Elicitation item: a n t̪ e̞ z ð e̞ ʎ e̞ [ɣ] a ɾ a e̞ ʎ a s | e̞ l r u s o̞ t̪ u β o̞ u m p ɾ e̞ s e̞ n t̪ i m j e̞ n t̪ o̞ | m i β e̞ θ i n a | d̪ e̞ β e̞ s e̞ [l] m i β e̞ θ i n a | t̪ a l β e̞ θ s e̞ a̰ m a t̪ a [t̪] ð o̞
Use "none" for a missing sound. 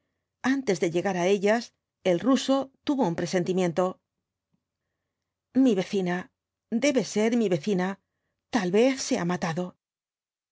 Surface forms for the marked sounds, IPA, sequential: ɣ, ɾ, none

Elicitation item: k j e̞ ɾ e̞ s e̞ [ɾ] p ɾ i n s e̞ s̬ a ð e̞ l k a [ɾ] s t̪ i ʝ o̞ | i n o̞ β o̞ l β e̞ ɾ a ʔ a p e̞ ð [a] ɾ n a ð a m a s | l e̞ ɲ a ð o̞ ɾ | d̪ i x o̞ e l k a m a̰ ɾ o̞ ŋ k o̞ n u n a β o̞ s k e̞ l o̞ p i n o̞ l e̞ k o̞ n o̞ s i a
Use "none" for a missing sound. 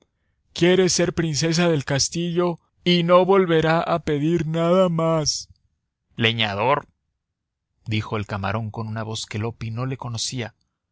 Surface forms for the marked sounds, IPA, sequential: ɾ, none, i

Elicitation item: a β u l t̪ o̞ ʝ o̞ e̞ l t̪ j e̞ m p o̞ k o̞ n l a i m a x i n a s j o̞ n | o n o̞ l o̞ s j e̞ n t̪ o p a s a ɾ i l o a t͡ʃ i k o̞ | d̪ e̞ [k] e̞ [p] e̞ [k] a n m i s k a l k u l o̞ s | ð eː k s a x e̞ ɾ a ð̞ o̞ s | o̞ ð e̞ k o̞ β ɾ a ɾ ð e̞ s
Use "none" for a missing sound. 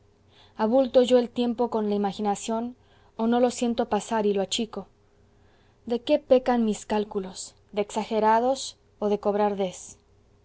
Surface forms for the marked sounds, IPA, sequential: k, p, k

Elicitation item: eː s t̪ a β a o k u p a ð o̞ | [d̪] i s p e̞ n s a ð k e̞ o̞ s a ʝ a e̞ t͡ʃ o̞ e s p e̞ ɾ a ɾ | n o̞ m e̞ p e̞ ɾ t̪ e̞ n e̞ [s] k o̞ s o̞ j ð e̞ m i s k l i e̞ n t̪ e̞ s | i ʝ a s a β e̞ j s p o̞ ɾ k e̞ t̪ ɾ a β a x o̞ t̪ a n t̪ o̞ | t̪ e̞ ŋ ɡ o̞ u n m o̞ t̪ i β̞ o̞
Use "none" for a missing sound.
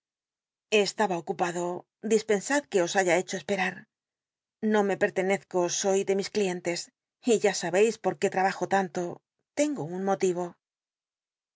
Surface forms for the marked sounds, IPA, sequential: d̪, θ

